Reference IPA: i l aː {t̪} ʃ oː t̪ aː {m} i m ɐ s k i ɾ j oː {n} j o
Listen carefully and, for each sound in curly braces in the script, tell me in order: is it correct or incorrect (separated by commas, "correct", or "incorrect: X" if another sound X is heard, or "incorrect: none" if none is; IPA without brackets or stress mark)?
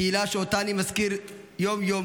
incorrect: none, incorrect: n, incorrect: m